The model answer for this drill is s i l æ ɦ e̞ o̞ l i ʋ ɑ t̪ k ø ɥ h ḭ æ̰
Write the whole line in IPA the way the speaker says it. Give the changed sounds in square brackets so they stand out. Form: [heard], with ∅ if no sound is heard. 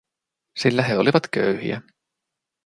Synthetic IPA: s i [lː] æ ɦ e̞ o̞ l i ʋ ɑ t̪ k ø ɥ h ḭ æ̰